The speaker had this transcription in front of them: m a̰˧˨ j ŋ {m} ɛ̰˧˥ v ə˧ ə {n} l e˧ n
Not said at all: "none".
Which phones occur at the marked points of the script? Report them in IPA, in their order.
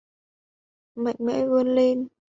m, n

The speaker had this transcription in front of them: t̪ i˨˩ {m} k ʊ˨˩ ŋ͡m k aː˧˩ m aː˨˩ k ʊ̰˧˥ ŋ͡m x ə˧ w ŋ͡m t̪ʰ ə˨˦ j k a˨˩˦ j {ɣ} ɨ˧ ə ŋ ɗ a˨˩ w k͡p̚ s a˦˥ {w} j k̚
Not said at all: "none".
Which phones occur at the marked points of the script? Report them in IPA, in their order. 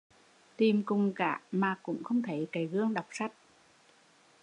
m, ɣ, none

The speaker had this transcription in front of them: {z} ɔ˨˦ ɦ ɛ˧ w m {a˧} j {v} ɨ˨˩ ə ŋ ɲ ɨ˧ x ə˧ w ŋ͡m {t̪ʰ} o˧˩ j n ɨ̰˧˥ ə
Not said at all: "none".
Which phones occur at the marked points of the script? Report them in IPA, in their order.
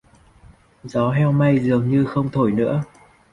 z, a˧, z, t̪ʰ

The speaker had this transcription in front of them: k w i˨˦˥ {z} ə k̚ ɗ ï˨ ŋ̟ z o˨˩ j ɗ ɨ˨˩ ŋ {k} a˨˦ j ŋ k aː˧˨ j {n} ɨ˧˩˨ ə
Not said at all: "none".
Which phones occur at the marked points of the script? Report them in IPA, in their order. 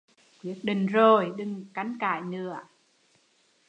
none, k, n

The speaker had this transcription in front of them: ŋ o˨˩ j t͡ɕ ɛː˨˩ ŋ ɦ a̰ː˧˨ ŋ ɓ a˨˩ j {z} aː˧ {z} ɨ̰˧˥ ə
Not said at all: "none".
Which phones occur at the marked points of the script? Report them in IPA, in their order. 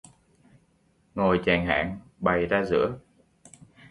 z, z

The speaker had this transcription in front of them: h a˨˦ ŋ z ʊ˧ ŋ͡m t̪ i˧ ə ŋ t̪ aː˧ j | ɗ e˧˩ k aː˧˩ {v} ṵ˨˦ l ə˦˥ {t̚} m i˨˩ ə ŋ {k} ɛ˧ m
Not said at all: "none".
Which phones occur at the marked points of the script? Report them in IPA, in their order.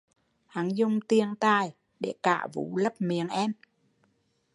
v, p̚, ʔ

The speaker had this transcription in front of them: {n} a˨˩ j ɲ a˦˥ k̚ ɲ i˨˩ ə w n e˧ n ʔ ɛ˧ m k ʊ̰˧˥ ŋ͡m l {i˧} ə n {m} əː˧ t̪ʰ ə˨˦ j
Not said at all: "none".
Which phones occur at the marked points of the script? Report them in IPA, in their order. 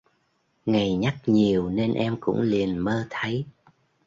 ŋ, i˨˩, m

